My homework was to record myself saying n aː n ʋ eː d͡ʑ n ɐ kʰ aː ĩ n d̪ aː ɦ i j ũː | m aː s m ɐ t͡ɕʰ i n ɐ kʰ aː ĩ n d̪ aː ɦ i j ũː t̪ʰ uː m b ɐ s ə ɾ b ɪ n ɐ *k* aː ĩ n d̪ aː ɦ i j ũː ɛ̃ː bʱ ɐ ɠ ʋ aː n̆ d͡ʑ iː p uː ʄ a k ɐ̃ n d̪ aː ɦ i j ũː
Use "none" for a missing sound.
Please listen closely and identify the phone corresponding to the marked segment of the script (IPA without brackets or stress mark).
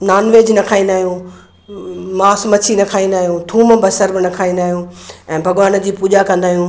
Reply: kʰ